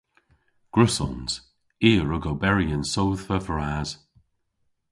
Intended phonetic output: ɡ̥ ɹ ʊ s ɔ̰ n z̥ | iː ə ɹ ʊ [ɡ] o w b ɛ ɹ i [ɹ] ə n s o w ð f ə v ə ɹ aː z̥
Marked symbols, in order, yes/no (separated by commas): yes, no